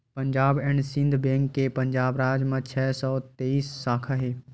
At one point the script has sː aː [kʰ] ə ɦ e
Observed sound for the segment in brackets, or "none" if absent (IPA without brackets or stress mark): kʰ